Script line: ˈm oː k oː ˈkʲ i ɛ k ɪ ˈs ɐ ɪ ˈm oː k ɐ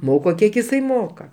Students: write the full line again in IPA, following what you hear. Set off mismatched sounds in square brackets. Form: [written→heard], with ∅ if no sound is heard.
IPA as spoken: ˈm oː k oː ˈkʲ i ɛ k ɪ ˈs ɐ ɪ ˈm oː k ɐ